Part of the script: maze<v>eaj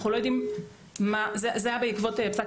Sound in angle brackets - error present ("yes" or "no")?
yes